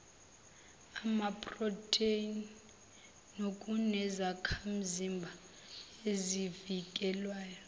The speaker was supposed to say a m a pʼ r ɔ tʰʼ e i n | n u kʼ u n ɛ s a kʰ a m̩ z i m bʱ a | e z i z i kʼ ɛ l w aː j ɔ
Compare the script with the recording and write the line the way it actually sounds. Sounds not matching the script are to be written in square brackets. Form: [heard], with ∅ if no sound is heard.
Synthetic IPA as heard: a m a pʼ r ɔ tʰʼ e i n | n [o] kʼ u n ɛ [z] a kʰ a m̩ z i m bʱ a | e z i [v] i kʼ ɛ l w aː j ɔ